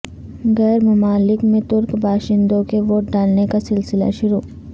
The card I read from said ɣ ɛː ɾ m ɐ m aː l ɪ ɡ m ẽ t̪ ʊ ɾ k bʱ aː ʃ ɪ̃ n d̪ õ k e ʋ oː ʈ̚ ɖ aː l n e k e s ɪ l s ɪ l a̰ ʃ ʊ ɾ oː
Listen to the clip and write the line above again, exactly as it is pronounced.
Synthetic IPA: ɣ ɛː ɾ m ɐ m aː l ɪ k m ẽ t̪ ʊ ɾ k bʱ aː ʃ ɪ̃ n d̪ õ k e ʋ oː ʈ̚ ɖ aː l n e k a s ɪ l s ɪ l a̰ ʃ ʊ ɾ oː